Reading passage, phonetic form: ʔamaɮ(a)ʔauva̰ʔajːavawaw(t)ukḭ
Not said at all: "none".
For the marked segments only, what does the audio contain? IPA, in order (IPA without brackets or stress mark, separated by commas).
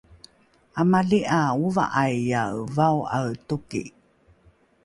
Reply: i, t